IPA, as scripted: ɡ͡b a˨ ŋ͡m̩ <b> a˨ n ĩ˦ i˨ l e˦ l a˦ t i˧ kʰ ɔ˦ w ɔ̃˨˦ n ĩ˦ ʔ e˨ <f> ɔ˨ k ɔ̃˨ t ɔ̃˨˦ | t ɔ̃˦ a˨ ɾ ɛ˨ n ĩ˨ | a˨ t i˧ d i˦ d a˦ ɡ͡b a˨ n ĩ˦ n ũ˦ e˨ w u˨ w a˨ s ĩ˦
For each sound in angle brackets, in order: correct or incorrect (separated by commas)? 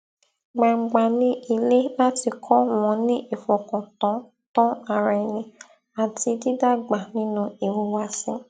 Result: incorrect, correct